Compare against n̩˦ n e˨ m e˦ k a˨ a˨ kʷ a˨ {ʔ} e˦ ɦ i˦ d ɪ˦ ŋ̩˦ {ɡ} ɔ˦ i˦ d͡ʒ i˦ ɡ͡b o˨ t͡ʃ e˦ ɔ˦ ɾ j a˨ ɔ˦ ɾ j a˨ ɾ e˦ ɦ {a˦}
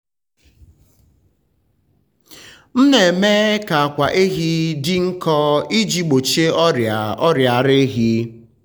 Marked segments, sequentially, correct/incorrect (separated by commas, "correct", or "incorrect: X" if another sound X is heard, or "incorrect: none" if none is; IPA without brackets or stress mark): correct, incorrect: k, incorrect: i˦